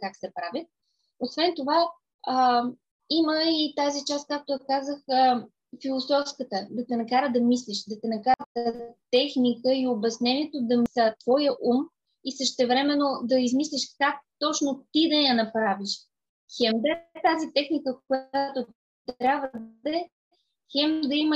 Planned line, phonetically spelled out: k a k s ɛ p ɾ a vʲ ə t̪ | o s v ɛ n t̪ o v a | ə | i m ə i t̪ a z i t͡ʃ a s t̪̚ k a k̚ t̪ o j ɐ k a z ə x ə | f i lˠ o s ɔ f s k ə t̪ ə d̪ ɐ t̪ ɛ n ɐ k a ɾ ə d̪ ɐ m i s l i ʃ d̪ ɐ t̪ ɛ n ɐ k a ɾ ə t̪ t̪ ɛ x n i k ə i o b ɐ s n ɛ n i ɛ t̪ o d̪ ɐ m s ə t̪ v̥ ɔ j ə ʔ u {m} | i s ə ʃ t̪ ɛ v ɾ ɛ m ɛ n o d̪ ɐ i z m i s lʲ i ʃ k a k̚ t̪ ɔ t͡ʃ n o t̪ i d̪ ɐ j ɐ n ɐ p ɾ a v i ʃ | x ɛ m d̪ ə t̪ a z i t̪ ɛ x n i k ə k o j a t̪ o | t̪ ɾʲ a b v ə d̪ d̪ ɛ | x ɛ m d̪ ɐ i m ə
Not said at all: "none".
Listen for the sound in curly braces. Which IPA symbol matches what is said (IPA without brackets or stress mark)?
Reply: m